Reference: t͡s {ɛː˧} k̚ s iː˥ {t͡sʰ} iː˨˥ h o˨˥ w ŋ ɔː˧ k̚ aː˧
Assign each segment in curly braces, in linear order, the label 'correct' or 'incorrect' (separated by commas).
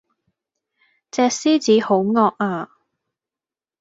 correct, incorrect